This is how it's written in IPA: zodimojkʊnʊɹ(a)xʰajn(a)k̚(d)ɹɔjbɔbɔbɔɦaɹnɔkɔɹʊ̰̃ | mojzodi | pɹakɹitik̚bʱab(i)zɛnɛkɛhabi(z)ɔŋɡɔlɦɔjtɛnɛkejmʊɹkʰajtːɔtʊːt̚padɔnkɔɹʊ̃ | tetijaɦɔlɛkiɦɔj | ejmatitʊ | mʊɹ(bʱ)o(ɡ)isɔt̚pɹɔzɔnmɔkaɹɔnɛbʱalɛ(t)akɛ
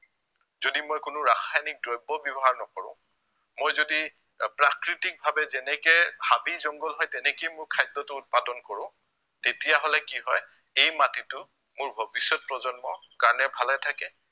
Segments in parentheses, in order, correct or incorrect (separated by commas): correct, incorrect, correct, incorrect, correct, correct, incorrect, incorrect